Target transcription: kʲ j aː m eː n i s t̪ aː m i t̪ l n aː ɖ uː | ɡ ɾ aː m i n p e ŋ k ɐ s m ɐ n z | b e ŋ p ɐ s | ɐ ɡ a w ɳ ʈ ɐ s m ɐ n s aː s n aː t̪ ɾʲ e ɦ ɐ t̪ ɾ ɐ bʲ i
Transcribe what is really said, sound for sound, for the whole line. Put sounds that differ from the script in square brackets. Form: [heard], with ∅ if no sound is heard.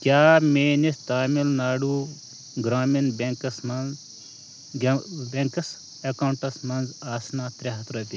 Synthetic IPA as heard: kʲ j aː m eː n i s t̪ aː m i [∅] l n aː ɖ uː | ɡ ɾ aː m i n [b] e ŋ k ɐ s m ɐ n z | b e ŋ [k] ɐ s | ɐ [k] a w ɳ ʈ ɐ s m ɐ n [z] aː s n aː t̪ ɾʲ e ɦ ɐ t̪ ɾ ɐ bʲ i